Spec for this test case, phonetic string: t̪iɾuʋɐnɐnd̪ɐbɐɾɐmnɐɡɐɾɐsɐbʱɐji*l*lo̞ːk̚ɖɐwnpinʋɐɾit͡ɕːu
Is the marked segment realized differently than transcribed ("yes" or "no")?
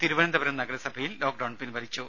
no